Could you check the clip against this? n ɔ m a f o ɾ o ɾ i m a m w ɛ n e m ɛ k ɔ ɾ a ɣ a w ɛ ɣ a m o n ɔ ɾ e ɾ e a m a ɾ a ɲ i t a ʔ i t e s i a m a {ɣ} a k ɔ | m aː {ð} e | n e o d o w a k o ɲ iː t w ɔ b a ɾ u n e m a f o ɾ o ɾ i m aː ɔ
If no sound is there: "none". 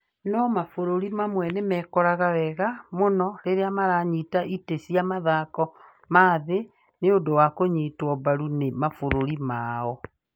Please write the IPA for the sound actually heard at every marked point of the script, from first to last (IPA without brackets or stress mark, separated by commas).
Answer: ð, ð